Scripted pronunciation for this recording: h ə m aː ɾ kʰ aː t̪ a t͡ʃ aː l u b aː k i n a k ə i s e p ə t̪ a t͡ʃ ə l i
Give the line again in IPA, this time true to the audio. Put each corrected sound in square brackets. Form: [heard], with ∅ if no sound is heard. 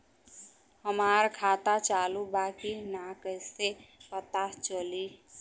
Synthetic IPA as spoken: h ə m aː ɾ kʰ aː t̪ a t͡ʃ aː l u b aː k i n a k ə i s e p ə t̪ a t͡ʃ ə l i